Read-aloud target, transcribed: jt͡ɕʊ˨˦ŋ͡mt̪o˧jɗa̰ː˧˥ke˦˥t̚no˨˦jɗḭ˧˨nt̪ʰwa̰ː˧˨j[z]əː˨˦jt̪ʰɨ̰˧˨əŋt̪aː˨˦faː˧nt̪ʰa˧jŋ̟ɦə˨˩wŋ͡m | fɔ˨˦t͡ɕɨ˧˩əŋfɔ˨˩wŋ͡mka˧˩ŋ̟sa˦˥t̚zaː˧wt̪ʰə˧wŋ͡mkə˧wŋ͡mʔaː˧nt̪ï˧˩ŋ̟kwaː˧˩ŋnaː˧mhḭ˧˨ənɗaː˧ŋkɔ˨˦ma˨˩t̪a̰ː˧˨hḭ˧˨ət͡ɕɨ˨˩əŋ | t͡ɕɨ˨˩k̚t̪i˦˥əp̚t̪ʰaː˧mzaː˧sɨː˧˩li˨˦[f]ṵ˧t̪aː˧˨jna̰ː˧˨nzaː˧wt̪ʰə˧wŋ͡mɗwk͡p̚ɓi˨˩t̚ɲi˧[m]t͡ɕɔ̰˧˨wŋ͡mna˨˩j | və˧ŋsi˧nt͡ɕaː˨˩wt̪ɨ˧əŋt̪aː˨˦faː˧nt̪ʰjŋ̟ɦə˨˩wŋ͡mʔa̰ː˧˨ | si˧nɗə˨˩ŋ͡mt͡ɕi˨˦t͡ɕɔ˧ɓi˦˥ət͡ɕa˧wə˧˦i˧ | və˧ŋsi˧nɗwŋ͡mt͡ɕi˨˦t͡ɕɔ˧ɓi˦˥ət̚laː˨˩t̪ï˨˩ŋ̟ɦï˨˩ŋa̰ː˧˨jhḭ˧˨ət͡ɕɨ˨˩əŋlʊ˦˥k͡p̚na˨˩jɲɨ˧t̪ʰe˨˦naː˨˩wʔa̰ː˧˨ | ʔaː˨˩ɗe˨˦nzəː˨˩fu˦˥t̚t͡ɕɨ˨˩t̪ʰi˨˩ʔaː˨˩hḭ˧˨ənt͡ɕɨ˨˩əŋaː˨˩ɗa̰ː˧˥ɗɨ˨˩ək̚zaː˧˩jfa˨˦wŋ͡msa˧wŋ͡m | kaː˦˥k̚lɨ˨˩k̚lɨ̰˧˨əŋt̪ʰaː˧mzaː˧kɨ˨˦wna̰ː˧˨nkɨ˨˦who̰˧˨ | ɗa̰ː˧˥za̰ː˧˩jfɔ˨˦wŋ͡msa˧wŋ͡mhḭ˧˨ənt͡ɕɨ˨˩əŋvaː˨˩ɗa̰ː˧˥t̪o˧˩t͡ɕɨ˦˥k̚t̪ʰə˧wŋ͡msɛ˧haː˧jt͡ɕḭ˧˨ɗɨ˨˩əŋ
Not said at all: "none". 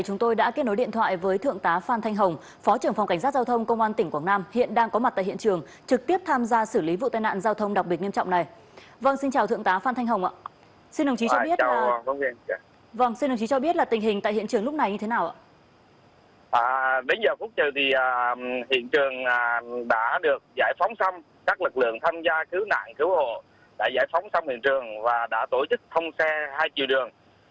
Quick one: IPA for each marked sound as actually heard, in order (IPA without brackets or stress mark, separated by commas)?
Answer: v, v, m